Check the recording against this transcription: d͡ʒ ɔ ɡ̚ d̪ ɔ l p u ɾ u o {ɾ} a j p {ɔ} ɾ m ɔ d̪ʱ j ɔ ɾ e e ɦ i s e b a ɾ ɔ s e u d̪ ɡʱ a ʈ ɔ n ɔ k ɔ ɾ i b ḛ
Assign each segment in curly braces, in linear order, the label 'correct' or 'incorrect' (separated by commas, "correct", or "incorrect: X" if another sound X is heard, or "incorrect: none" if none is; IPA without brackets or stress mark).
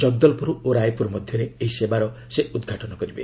correct, incorrect: u